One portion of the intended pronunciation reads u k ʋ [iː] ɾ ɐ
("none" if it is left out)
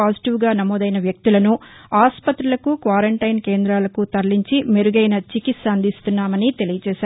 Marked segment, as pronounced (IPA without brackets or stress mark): aː